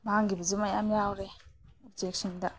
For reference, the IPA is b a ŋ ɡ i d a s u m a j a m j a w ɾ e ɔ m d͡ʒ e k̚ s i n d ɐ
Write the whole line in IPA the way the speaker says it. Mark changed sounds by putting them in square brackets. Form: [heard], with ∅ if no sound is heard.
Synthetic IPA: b a ŋ ɡ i [b] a [z] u m a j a m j a w ɾ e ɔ [b] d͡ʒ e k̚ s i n d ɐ